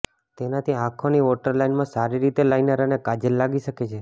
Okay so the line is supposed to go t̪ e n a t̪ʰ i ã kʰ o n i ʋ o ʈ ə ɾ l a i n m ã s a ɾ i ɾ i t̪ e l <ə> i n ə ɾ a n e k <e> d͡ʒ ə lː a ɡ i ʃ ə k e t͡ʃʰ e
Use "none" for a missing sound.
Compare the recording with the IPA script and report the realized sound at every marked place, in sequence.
a, a

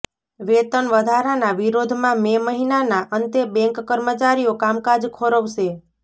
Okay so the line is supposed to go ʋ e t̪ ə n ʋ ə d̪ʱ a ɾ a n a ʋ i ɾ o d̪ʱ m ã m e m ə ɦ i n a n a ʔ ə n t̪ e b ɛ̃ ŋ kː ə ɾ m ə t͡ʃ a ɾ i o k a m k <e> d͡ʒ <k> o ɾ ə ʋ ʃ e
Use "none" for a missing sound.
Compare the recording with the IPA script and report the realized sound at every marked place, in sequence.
a, kʰ

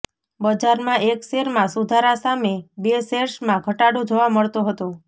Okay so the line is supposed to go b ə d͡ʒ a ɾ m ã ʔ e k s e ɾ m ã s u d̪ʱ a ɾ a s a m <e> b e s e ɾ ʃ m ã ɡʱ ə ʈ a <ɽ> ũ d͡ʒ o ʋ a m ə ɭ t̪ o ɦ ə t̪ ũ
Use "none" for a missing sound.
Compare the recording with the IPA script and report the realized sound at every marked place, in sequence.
e, ɽ

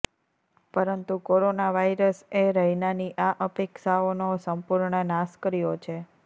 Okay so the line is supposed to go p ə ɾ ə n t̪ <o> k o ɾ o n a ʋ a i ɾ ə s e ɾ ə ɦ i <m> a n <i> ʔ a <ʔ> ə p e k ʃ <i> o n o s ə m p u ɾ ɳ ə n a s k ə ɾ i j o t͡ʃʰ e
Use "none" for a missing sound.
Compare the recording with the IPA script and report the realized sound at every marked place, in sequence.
u, n, i, ʔ, a

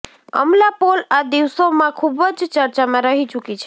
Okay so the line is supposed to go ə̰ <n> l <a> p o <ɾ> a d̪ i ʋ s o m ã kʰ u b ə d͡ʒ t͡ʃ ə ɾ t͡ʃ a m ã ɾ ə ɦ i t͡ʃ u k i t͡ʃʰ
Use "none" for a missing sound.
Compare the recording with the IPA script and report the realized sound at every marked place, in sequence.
m, a, l

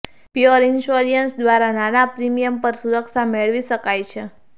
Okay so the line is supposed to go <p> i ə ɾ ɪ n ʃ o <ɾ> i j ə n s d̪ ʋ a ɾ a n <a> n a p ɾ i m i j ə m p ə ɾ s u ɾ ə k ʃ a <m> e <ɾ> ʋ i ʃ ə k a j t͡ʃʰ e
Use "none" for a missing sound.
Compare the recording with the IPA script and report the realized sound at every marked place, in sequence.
p, ɾ, a, m, ɭ

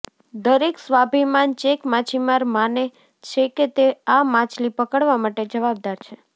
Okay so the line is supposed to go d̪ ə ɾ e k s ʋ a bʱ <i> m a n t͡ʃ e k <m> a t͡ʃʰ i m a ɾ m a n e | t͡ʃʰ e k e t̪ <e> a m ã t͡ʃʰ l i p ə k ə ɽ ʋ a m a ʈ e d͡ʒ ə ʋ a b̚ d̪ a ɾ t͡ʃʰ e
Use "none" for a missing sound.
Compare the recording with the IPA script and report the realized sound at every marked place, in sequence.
i, m, e

